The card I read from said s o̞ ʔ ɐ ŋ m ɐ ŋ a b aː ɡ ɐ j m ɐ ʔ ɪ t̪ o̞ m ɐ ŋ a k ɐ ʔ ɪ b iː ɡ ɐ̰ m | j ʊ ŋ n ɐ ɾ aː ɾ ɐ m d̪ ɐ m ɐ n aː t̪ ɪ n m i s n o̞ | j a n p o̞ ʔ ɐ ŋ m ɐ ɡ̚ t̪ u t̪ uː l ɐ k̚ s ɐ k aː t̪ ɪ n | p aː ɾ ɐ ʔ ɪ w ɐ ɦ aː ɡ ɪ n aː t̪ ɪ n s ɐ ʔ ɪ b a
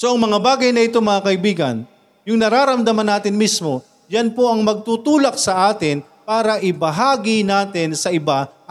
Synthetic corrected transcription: s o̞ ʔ ɐ ŋ m ɐ ŋ a b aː ɡ ɐ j n ɐ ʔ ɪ t̪ o̞ m ɐ ŋ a k ɐ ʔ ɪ b iː ɡ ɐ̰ n | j ʊ ŋ n ɐ ɾ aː ɾ ɐ m d̪ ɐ m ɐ n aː t̪ ɪ n m i s m o̞ | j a n p o̞ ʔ ɐ ŋ m ɐ ɡ̚ t̪ u t̪ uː l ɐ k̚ s ɐ ʔ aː t̪ ɪ n | p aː ɾ ɐ ʔ ɪ b ɐ ɦ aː ɡ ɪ n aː t̪ ɪ n s ɐ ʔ ɪ b a